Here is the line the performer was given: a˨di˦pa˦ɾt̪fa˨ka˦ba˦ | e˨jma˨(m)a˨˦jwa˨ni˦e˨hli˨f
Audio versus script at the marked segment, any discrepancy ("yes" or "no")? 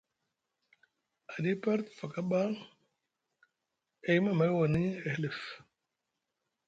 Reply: no